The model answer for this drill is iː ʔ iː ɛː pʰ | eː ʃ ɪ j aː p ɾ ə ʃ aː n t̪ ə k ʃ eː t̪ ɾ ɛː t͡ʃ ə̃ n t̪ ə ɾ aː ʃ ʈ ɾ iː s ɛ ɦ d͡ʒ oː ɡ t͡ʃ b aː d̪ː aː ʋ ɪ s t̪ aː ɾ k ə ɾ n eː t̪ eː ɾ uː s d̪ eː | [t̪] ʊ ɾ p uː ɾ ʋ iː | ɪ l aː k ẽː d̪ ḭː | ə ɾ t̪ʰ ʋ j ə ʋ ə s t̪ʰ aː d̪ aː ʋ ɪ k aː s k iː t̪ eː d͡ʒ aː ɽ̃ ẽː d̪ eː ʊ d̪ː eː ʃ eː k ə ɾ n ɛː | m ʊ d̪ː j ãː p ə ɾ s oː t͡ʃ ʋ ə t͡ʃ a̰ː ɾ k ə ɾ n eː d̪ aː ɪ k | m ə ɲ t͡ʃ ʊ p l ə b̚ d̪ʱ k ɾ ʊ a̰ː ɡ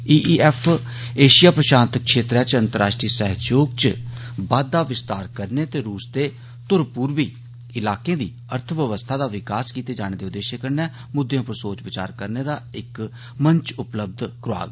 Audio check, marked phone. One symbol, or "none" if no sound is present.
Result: t̪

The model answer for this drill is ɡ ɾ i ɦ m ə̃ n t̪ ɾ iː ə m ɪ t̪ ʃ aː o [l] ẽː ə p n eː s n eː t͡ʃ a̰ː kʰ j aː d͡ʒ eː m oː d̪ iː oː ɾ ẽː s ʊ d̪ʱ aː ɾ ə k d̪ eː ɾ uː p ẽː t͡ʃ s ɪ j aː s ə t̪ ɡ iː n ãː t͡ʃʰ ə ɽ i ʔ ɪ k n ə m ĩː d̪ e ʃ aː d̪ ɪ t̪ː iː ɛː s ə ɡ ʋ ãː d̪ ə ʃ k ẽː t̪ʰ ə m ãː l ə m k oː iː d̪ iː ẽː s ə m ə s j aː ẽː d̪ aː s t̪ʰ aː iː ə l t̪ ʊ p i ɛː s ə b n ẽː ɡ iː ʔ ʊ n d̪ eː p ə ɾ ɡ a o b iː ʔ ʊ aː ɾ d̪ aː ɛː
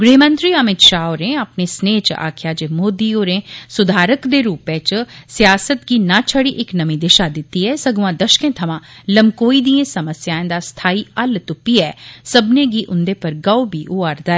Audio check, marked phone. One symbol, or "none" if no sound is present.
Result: ɾ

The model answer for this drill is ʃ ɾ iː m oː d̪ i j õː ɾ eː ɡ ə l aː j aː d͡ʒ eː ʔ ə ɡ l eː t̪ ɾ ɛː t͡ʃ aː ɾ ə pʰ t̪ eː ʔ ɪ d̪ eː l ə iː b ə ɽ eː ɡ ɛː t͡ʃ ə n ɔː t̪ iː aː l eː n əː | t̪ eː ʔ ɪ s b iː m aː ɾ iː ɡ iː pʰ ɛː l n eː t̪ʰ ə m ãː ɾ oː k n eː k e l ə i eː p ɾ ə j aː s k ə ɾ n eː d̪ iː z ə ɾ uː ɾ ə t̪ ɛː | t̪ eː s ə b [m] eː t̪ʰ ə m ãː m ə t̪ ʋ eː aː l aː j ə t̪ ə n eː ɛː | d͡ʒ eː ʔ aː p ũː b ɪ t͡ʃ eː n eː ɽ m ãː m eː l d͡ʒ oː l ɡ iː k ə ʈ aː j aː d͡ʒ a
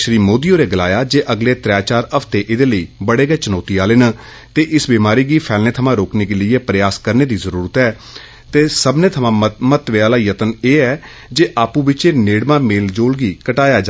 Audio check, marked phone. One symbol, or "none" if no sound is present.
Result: n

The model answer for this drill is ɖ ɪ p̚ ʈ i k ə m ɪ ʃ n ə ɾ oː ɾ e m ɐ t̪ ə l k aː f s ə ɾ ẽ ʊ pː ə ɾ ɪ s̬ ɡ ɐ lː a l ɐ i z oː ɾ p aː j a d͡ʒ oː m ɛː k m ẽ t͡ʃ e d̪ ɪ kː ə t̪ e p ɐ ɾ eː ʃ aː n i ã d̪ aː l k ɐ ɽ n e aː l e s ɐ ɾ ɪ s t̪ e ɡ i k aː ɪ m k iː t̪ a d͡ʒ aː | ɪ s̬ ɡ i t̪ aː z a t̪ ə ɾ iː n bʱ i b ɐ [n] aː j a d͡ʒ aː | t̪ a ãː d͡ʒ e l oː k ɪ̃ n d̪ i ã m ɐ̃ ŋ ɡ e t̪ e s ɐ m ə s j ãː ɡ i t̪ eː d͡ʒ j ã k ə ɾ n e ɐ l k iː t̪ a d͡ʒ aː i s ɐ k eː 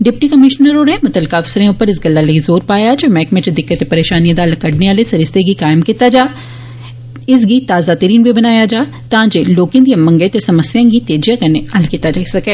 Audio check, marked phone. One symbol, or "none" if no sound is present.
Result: n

